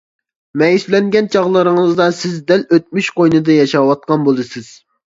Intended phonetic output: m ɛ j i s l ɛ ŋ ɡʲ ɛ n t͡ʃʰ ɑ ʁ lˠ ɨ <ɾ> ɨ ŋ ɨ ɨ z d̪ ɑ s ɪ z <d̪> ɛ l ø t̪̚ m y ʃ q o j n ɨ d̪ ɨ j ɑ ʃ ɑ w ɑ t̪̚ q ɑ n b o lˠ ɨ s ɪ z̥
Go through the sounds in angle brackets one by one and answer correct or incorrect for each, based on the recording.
correct, correct

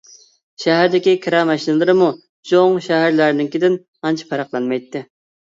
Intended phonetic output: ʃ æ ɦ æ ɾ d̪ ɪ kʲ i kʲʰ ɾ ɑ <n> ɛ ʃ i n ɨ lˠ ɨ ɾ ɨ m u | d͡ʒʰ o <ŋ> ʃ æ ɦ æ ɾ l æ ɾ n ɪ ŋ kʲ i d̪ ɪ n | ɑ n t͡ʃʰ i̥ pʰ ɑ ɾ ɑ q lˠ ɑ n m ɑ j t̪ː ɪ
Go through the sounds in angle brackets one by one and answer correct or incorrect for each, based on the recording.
incorrect: m, correct

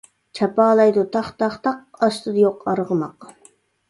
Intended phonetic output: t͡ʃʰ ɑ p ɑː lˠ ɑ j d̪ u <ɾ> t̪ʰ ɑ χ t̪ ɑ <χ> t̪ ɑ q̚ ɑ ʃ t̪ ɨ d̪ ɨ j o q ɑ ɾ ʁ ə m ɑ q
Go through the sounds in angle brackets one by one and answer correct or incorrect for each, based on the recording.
incorrect: none, correct

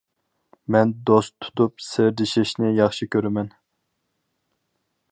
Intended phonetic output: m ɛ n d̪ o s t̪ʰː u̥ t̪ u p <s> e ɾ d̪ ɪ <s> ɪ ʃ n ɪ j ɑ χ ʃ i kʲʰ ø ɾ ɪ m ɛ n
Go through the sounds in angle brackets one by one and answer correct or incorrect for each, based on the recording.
correct, incorrect: ʃ

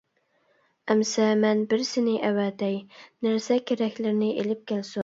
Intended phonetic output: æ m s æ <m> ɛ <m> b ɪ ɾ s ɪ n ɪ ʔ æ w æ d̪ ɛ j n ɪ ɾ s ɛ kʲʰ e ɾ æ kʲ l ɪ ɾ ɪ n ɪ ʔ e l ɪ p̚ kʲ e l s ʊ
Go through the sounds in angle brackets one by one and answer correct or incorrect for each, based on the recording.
correct, incorrect: n

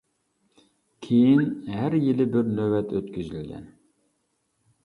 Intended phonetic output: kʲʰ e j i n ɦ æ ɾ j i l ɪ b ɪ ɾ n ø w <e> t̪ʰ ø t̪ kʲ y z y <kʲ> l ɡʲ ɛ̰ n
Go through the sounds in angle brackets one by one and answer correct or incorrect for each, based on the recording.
incorrect: ɛ, incorrect: none

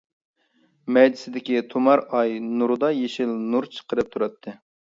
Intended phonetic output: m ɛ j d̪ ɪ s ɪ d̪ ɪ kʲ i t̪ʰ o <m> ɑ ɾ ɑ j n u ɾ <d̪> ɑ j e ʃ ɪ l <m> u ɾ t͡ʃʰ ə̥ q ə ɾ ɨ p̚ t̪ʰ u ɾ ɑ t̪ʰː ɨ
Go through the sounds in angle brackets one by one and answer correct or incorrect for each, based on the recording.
correct, correct, incorrect: n

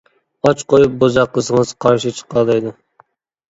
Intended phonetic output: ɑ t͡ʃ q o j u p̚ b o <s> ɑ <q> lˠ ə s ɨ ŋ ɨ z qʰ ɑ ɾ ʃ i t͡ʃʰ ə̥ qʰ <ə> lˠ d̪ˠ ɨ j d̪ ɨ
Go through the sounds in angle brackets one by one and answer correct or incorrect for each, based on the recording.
incorrect: z, correct, incorrect: ɑ

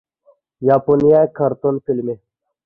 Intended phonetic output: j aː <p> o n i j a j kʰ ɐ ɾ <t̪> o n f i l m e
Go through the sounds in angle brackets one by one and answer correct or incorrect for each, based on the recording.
correct, correct

